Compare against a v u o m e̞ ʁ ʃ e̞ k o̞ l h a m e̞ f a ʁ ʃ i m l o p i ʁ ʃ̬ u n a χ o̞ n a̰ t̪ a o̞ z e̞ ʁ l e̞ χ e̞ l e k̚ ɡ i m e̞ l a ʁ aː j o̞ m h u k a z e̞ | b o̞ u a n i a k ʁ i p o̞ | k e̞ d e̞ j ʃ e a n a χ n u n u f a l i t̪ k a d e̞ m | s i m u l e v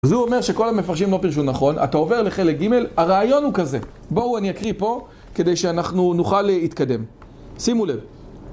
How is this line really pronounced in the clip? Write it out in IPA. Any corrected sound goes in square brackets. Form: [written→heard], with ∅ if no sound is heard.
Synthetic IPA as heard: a [v→z] u o m e̞ ʁ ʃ e̞ k o̞ l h a m e̞ f a ʁ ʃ i m l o p i ʁ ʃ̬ u n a χ o̞ n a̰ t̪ a o̞ [z→v] e̞ ʁ l e̞ χ e̞ l e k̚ ɡ i m e̞ l a ʁ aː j o̞ [m→n] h u k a z e̞ | b o̞ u a n i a k ʁ i p o̞ | k e̞ d e̞ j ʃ e a n a χ n u n u [f→χ] a l i t̪ k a d e̞ m | s i m u l e v